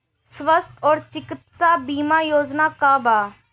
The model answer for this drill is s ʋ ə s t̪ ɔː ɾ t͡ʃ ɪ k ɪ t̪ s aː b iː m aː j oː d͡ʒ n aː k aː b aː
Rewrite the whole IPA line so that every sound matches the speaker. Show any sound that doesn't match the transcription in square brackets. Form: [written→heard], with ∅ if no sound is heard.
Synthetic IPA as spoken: s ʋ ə s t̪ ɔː ɾ t͡ʃ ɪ k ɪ t̪ s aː b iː m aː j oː d͡ʒ n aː k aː b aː